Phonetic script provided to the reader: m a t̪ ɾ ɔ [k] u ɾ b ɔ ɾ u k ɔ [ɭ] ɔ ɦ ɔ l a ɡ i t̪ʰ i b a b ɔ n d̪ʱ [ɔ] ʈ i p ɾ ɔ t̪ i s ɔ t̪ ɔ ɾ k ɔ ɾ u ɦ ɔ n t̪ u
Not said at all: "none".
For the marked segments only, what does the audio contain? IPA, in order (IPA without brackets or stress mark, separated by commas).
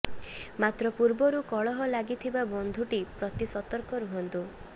p, ɭ, u